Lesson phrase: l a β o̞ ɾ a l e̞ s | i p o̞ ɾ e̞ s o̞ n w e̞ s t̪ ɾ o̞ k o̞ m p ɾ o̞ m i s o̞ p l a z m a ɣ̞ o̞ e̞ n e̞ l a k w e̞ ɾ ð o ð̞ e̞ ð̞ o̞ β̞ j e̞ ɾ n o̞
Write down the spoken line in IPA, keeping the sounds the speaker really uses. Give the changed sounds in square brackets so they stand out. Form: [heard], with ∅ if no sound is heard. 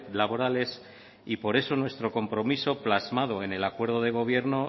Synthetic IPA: l a β o̞ ɾ a l e̞ s | i p o̞ ɾ e̞ s o̞ n w e̞ s t̪ ɾ o̞ k o̞ m p ɾ o̞ m i s o̞ p l a z m a [ð̞] o̞ e̞ n e̞ l a k w e̞ ɾ ð o ð̞ e̞ [ɣ̞] o̞ β̞ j e̞ ɾ n o̞